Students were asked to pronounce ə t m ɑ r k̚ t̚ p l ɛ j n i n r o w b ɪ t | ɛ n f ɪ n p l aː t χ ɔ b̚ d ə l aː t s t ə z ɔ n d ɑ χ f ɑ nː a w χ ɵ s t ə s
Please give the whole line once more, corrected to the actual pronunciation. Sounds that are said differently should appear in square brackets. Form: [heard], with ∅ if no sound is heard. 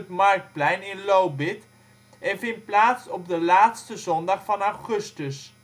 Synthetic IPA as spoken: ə t m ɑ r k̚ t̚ p l ɛ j n [ɪ] n [l] o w b ɪ t | ɛ n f ɪ n p l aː t [s] ɔ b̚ d ə l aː t s t ə z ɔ n d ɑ χ f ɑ [n] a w χ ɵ s t ə s